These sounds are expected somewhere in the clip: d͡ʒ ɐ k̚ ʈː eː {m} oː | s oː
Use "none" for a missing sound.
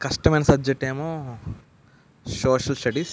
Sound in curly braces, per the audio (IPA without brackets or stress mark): m